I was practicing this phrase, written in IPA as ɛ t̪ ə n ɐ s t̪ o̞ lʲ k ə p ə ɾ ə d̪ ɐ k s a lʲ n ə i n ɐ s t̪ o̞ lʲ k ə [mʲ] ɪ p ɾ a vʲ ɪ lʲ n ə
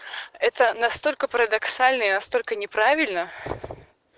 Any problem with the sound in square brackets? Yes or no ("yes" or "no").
yes